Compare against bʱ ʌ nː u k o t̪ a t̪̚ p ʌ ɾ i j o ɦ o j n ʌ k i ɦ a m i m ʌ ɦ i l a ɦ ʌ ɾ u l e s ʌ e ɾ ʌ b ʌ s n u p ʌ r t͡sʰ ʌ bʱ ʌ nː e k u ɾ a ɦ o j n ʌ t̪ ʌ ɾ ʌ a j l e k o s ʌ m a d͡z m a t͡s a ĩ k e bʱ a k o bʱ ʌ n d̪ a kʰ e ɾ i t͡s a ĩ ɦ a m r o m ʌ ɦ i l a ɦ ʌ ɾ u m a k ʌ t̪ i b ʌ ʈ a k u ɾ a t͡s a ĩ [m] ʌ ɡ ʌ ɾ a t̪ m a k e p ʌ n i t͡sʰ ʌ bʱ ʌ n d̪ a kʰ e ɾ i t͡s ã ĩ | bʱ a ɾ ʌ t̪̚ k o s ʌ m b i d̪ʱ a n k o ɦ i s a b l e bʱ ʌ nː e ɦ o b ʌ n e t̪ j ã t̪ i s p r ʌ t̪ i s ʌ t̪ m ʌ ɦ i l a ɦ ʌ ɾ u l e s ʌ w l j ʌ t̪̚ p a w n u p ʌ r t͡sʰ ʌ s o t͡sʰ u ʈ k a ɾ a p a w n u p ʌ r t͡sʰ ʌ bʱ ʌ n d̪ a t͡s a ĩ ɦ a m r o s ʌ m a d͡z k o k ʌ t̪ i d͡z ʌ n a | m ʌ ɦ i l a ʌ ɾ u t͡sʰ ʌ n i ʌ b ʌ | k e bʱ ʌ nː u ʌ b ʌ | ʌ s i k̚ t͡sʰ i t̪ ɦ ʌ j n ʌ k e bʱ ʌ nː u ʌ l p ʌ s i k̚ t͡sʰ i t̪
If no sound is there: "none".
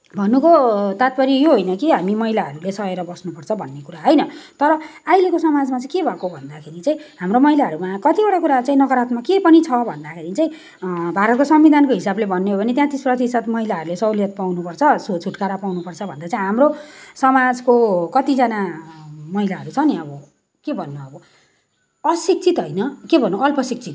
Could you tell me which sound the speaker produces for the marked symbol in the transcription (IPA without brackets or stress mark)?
n